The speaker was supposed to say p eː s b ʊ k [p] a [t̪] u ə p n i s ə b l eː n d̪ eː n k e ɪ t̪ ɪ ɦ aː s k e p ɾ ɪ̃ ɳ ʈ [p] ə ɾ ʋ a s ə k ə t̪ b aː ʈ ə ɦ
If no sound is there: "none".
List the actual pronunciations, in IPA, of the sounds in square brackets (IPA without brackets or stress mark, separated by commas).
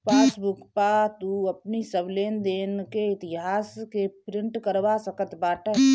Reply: p, t̪, k